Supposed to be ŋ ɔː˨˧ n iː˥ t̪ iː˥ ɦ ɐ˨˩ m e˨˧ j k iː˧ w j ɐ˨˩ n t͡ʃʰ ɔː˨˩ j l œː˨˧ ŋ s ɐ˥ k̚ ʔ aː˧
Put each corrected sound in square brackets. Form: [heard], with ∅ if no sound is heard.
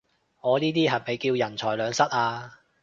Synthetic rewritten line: ŋ ɔː˨˧ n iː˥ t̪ iː˥ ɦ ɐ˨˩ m e˨˧ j k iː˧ w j ɐ˨˩ n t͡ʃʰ ɔː˨˩ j l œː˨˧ ŋ s ɐ˥ [t̚] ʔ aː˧